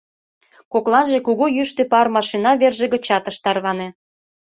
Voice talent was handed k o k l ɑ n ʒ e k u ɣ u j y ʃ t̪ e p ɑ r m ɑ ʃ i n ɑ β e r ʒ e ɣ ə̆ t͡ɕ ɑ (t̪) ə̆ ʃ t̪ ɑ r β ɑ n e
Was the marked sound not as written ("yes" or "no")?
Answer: no